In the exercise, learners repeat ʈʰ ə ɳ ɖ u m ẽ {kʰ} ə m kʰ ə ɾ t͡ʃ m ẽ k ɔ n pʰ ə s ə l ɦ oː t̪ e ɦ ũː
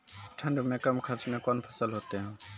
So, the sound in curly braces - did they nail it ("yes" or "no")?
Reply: no